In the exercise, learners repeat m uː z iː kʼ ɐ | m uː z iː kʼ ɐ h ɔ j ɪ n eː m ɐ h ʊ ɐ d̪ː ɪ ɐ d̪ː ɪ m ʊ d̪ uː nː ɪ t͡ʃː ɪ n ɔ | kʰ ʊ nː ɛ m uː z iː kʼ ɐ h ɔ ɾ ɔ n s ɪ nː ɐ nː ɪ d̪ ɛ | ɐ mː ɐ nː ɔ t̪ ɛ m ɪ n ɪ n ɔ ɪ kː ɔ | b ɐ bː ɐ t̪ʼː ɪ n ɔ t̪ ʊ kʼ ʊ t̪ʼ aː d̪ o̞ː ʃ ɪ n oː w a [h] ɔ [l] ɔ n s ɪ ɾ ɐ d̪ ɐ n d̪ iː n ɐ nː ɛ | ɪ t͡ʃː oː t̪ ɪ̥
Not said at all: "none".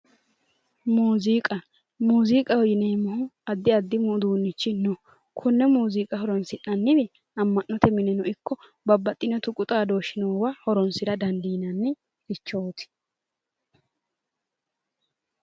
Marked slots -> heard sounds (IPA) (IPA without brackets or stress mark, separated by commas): h, ɾ